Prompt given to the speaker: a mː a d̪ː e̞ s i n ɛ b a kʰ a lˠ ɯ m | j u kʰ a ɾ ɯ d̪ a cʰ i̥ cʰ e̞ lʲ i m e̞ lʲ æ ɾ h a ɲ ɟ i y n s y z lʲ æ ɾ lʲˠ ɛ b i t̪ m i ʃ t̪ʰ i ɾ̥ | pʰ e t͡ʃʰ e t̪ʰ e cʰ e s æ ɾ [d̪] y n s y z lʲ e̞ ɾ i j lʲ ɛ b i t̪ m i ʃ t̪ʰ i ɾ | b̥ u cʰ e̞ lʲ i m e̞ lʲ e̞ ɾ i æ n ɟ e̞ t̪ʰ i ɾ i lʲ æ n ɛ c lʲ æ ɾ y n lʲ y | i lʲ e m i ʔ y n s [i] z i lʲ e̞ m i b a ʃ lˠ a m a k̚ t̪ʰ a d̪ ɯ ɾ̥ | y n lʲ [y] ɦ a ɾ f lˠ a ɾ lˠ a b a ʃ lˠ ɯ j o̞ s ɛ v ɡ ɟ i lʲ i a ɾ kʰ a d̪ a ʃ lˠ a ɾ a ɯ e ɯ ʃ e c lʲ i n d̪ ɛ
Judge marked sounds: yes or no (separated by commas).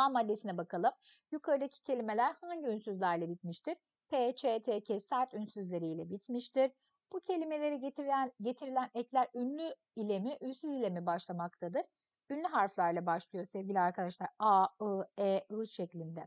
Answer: no, no, yes